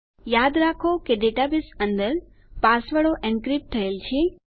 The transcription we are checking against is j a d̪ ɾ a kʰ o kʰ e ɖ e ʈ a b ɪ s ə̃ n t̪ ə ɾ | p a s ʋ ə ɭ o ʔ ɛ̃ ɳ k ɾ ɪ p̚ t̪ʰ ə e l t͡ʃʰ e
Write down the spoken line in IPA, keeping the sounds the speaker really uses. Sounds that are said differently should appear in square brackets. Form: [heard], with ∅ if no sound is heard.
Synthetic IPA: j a d̪ ɾ a kʰ o [k] e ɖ e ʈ a b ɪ s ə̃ n [d̪] ə ɾ | p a s ʋ ə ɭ o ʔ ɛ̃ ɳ k ɾ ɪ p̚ t̪ʰ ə e l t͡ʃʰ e